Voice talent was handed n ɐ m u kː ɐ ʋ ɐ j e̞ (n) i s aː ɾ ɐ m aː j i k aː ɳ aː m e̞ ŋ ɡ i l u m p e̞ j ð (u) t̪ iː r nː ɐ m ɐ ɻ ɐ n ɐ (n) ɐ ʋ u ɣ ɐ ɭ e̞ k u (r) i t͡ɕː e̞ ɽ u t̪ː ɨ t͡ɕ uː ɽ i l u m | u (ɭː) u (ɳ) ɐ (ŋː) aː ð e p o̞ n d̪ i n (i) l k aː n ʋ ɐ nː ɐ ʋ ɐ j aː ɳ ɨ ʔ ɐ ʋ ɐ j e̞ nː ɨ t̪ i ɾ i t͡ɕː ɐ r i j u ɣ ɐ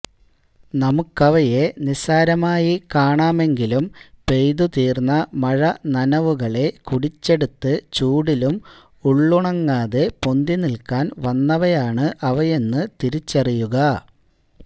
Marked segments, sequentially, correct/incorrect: correct, correct, correct, incorrect: ɽ, correct, correct, correct, correct

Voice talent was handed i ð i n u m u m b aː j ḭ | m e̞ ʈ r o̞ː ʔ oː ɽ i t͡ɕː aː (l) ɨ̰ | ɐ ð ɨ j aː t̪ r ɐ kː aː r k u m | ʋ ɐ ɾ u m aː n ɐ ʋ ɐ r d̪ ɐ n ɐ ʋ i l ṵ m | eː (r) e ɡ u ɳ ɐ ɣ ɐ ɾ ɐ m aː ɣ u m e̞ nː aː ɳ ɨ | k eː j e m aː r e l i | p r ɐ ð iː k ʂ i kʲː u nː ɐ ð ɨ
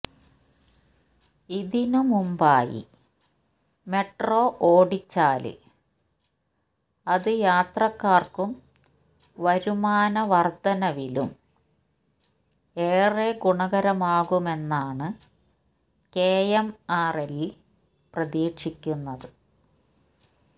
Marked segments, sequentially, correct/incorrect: correct, correct

